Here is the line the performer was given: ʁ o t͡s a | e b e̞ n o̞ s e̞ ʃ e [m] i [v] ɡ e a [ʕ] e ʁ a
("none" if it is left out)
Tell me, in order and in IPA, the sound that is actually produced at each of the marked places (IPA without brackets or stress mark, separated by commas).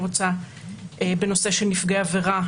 n, f, v